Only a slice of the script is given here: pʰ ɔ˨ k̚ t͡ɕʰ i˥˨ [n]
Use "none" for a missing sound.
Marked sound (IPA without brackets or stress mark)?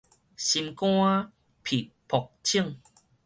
ŋ